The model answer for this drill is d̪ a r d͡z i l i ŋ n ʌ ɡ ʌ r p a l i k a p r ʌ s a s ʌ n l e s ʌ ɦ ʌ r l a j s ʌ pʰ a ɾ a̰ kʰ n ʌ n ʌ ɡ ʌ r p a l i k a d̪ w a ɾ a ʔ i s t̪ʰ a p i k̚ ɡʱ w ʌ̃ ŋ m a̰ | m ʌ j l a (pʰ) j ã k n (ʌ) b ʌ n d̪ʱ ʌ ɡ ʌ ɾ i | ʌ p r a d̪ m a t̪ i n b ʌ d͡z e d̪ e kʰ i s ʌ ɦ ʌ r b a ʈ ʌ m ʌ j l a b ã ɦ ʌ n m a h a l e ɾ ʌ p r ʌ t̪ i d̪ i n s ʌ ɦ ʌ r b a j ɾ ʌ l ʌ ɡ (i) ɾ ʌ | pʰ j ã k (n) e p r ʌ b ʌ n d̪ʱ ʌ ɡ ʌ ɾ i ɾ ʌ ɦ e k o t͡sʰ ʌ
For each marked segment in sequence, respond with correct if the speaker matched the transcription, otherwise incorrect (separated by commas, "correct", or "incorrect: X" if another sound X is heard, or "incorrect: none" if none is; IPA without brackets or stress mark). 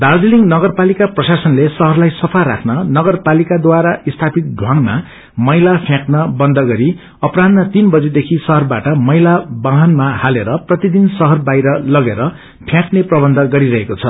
correct, correct, incorrect: e, correct